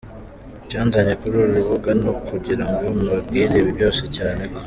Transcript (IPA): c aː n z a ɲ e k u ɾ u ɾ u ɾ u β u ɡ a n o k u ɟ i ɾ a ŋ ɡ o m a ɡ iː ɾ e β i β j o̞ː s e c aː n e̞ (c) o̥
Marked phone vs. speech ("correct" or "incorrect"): incorrect